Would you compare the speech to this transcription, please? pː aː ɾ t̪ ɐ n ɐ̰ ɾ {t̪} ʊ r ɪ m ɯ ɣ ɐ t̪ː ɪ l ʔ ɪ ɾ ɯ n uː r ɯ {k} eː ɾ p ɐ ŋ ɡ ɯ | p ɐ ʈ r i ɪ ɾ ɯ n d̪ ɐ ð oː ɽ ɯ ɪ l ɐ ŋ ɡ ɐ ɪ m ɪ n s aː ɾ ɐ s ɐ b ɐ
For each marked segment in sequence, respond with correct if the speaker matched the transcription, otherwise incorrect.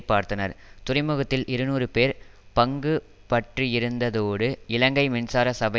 correct, incorrect

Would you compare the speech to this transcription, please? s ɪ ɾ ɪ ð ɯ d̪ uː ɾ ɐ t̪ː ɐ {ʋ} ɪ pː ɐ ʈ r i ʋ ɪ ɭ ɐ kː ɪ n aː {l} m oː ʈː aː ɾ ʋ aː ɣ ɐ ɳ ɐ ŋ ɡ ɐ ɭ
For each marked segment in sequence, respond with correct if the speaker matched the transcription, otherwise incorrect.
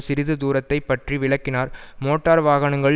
incorrect, incorrect

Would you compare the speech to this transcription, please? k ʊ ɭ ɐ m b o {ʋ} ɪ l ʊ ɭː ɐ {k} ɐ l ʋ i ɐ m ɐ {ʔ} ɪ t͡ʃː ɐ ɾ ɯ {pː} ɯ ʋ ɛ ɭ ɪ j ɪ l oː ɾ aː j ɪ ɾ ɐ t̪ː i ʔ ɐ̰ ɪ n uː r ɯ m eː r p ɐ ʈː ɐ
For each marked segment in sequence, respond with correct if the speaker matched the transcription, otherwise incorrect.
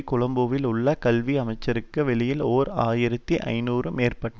correct, correct, incorrect, incorrect

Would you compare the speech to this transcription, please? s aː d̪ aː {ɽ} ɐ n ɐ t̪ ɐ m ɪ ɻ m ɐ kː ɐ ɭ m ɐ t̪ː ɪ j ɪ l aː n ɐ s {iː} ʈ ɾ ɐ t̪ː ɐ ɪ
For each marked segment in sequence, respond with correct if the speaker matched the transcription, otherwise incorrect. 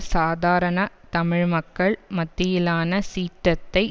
incorrect, correct

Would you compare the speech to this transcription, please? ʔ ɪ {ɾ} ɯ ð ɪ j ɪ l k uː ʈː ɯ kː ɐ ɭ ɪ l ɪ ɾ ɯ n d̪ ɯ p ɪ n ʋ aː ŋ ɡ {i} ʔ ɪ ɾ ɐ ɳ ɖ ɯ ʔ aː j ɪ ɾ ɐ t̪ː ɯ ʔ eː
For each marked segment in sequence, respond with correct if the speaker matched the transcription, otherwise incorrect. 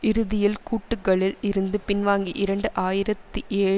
correct, correct

